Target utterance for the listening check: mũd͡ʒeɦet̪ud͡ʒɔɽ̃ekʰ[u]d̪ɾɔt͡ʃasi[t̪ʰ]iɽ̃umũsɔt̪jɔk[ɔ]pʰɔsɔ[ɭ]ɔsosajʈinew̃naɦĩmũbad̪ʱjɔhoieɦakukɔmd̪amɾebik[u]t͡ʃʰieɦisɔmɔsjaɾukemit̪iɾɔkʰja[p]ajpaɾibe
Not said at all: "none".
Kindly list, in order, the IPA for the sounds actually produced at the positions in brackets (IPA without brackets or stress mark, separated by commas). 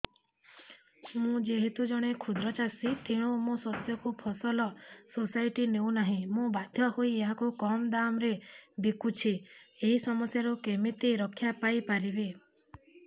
u, t̪ʰ, u, l, u, p